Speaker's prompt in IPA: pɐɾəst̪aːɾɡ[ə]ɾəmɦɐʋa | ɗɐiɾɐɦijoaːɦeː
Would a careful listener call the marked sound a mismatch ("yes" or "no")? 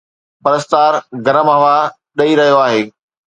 yes